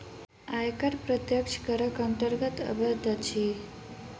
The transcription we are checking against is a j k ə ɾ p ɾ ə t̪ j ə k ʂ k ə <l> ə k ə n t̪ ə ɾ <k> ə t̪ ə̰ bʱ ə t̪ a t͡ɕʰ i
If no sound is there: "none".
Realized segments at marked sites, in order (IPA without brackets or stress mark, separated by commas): ɾ, ɡ